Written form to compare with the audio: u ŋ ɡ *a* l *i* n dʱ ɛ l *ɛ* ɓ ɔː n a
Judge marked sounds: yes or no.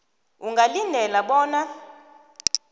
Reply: yes, yes, no

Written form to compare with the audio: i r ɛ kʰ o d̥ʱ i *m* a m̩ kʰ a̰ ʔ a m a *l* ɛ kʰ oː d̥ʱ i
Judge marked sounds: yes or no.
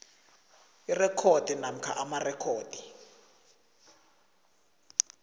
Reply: no, no

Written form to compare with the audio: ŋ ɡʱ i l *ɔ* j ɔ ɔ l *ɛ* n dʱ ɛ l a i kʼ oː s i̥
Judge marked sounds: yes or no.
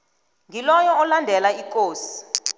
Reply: yes, no

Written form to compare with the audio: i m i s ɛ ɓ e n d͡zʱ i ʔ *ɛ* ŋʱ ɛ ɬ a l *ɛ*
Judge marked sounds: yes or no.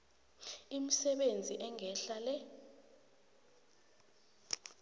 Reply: yes, yes

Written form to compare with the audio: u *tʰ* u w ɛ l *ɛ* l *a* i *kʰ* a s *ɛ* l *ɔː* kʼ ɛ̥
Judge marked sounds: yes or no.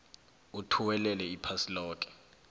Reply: yes, yes, no, no, no, yes

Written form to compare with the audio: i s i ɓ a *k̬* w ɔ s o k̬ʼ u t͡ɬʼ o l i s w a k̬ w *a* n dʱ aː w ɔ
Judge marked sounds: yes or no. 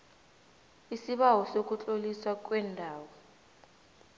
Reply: no, no

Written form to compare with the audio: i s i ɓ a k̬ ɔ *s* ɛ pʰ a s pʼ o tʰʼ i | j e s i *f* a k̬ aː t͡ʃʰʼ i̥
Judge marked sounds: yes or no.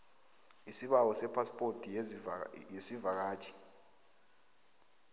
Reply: yes, no

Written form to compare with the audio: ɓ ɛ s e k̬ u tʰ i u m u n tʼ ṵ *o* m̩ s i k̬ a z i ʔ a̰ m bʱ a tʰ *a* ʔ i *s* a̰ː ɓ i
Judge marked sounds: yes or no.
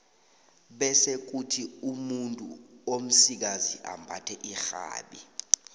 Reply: yes, no, no

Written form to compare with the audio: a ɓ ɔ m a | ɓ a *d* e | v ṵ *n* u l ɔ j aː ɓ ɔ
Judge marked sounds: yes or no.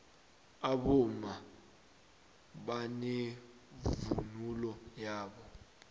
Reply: no, yes

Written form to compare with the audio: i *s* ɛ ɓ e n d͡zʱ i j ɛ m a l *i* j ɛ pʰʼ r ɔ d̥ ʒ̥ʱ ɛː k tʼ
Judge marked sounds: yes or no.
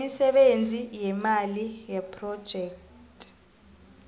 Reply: yes, yes

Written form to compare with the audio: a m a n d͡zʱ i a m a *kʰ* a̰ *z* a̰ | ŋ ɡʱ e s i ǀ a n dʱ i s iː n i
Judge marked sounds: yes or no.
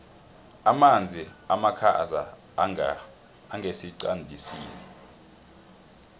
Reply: yes, yes

